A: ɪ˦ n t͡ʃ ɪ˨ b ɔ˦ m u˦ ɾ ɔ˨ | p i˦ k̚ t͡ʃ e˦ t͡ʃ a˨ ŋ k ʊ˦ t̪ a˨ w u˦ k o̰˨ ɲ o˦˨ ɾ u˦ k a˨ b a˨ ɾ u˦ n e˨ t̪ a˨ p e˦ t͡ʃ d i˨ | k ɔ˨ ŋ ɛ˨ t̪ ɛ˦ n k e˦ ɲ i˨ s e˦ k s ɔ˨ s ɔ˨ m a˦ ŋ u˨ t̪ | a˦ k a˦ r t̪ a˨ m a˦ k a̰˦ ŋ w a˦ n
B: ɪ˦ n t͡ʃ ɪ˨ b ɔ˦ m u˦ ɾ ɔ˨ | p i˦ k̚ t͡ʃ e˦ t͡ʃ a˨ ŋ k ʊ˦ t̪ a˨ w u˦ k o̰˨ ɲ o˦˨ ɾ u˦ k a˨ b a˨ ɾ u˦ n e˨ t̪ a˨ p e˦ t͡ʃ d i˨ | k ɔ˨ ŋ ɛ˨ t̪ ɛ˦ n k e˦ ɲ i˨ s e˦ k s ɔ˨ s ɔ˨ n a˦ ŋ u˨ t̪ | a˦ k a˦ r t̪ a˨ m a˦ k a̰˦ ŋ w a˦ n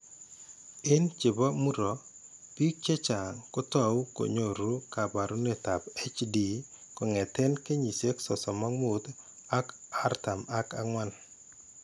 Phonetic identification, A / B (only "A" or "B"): A